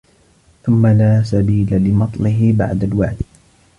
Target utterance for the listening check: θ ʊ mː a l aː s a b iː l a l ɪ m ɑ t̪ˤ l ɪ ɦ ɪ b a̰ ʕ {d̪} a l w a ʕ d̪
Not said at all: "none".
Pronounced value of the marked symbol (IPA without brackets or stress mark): d̪